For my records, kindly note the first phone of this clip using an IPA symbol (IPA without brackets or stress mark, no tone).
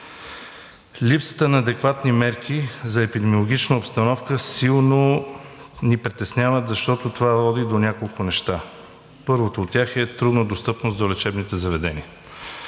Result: l